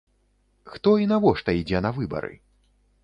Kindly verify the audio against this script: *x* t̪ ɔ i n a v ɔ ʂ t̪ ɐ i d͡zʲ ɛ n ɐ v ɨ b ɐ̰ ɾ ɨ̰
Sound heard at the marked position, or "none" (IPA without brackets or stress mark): x